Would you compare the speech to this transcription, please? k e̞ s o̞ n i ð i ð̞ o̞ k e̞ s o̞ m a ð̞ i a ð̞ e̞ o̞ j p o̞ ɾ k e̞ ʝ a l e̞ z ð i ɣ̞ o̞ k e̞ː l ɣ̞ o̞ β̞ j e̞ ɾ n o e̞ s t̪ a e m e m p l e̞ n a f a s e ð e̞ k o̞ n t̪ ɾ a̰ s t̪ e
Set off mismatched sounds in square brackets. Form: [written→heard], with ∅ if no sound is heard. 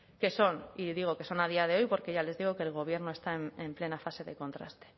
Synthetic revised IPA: k e̞ s o̞ n i ð i [ð̞→ɣ̞] o̞ k e̞ s o̞ [m→n] a ð̞ i a ð̞ e̞ o̞ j p o̞ ɾ k e̞ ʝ a l e̞ z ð i ɣ̞ o̞ k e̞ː l ɣ̞ o̞ β̞ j e̞ ɾ n o e̞ s t̪ a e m e m p l e̞ n a f a s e ð e̞ k o̞ n t̪ ɾ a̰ s t̪ e